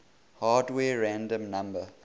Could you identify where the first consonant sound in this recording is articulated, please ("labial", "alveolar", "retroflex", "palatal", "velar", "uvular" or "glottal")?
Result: glottal